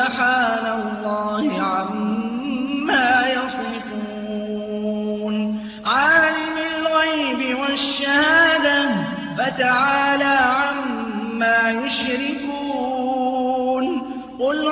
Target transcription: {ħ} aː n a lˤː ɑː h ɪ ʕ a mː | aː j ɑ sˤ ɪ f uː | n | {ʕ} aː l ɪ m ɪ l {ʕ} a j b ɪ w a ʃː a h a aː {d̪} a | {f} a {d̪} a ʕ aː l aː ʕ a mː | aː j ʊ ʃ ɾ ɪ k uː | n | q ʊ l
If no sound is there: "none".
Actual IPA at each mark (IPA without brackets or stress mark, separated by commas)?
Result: ħ, ʕ, ɣ, d̪, f, t̪